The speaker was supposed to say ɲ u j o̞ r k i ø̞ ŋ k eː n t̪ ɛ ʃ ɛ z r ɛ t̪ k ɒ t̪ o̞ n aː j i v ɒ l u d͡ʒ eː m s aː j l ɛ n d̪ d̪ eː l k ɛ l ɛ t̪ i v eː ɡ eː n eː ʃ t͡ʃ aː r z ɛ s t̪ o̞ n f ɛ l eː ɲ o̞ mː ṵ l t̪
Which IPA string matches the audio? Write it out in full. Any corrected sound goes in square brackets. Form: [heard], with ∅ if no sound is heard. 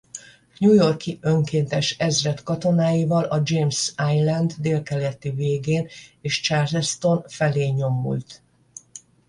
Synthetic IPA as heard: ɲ u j o̞ r k i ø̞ ŋ k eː n t̪ ɛ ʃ ɛ z r ɛ t̪ k ɒ t̪ o̞ n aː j i v ɒ l [ɒ] d͡ʒ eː m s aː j l ɛ n d̪ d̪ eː l k ɛ l ɛ t̪ i v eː ɡ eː n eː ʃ t͡ʃ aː r z ɛ s t̪ o̞ n f ɛ l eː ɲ o̞ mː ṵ l t̪